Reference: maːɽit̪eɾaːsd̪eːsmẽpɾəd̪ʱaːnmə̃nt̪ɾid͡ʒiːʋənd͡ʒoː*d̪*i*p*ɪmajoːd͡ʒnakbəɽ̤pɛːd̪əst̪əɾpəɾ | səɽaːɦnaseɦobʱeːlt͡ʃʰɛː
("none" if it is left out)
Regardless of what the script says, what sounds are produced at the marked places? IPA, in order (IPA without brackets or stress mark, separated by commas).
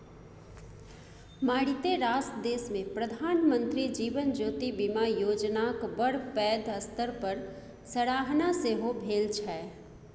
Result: t̪, b